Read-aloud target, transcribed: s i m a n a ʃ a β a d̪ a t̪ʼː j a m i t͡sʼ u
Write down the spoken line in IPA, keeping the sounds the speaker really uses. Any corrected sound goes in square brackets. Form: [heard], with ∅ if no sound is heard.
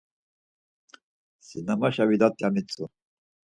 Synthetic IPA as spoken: s i [n] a [m] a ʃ a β [i] d̪ a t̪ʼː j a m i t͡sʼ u